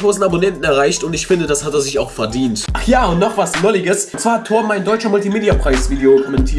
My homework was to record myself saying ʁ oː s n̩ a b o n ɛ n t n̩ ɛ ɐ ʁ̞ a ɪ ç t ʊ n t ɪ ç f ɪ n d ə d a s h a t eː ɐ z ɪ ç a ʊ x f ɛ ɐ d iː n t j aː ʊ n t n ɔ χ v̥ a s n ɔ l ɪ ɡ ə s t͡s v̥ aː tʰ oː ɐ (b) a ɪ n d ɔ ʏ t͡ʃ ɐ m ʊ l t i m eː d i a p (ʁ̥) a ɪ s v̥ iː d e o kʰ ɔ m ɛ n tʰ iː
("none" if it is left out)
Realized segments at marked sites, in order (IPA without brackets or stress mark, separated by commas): m, ʁ̥